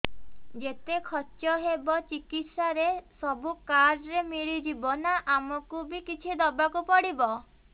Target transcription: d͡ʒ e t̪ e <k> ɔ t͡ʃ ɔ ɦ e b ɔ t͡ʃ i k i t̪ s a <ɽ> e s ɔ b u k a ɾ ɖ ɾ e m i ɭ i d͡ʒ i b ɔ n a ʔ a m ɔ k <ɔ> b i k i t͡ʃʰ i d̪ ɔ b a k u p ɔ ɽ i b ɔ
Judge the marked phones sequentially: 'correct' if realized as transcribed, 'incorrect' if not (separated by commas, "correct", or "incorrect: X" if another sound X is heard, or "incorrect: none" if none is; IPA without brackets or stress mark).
incorrect: kʰ, incorrect: ɾ, incorrect: u